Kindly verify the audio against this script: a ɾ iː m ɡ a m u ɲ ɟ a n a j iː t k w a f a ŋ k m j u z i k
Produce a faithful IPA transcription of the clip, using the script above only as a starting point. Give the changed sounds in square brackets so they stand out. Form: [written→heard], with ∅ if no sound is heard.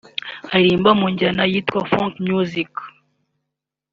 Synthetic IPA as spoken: a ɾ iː m [ɡ→b] a m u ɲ ɟ a n a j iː t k w a f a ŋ k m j u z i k